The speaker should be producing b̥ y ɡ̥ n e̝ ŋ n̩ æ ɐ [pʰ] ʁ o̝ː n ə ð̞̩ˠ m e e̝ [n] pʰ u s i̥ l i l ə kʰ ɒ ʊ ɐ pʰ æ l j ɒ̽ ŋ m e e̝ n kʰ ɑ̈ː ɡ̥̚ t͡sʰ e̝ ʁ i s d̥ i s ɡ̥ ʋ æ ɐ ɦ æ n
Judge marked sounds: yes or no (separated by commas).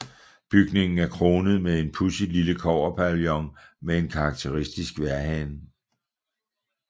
no, yes